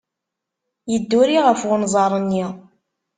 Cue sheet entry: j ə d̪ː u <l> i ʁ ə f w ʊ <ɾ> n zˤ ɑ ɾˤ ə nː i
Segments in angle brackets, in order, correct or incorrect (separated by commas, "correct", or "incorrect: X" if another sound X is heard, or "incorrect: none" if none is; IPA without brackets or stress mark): incorrect: ɾ, incorrect: none